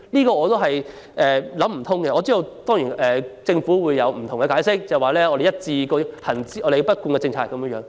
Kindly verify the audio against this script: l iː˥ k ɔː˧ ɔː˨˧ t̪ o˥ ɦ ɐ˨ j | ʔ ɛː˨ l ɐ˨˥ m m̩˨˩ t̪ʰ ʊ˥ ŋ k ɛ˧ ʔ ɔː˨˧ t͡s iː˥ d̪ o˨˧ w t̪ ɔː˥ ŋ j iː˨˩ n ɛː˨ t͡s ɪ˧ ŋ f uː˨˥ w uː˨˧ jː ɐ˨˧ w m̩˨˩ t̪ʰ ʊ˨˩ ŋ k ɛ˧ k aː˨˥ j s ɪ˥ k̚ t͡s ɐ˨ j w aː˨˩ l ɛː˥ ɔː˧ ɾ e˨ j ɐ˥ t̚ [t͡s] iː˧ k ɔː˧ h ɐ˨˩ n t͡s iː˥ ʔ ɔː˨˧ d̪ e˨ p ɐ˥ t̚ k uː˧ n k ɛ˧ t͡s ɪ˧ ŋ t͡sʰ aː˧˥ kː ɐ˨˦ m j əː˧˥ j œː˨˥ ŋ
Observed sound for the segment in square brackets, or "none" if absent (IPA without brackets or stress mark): t͡s